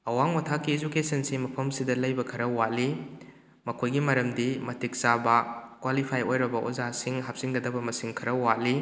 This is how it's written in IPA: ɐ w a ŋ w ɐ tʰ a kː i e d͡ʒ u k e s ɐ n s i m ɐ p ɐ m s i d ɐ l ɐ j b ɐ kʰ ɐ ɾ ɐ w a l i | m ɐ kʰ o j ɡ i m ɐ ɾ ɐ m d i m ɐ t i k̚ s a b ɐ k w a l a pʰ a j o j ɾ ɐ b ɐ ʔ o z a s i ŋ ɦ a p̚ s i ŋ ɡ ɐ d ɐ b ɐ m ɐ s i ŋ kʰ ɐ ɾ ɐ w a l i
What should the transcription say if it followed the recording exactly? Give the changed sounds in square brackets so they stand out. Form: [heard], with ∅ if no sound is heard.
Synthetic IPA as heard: ɐ w a ŋ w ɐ tʰ a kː i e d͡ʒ u k e s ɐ n s i m ɐ [pʰ] ɐ m s i d ɐ l ɐ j b ɐ kʰ ɐ ɾ ɐ w a l i | m ɐ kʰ o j ɡ i m ɐ ɾ ɐ m d i m ɐ t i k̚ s a b ɐ k w a l [i] pʰ a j o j ɾ ɐ b ɐ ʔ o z a s i ŋ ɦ a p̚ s i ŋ ɡ ɐ d ɐ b ɐ m ɐ s i ŋ kʰ ɐ ɾ ɐ w a l i